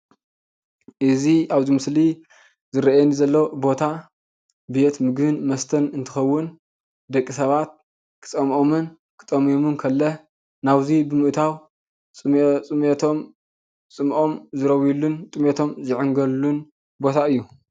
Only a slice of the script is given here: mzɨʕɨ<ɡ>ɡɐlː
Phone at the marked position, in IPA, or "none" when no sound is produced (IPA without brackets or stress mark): ŋ